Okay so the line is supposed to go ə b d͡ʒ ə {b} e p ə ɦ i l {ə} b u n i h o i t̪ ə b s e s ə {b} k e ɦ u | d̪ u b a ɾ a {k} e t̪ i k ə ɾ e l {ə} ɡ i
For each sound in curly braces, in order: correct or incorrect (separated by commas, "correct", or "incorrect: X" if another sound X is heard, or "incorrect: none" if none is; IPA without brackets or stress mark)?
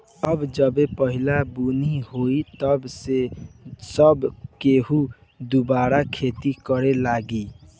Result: correct, incorrect: a, correct, incorrect: kʰ, incorrect: a